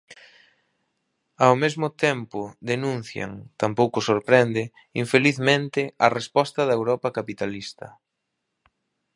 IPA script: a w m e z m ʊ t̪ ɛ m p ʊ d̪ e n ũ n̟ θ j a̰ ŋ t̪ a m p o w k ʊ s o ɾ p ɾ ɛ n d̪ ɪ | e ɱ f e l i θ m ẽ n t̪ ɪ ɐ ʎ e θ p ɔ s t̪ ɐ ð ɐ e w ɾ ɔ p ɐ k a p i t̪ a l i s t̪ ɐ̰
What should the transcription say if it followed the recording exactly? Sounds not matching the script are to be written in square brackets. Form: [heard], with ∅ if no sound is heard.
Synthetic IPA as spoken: a w m e z m ʊ t̪ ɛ m p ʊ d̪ e n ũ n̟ θ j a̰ ŋ t̪ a m p o w k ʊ s o ɾ p ɾ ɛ n d̪ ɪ | [i] ɱ f e l i θ m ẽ n t̪ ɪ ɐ [r] e [s] p ɔ s t̪ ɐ ð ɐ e w ɾ ɔ p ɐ k a p i t̪ a l i s t̪ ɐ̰